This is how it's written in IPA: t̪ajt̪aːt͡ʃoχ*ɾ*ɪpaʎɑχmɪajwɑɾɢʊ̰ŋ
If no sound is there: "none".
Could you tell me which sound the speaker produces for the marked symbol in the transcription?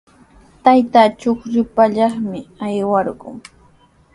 ɾ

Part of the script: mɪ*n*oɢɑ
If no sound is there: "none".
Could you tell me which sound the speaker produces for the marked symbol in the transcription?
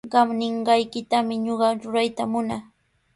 ɲ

